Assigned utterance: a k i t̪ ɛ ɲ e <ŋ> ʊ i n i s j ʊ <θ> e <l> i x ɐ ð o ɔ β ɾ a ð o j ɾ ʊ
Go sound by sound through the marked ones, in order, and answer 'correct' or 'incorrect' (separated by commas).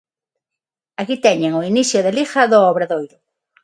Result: correct, incorrect, correct